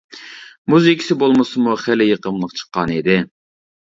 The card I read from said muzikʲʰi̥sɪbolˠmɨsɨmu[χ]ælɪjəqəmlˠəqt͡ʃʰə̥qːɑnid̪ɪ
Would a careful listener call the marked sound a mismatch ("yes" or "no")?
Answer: no